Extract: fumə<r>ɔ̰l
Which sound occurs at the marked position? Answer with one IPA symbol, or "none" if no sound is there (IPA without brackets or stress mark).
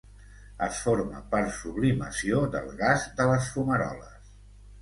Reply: ɾ